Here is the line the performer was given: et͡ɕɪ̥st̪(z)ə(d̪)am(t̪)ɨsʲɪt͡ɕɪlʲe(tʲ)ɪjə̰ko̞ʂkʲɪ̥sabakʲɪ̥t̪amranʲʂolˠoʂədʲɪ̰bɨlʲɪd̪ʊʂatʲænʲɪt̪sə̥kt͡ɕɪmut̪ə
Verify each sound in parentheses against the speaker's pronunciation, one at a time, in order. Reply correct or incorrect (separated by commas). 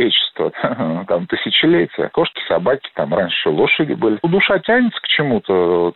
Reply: incorrect, incorrect, correct, correct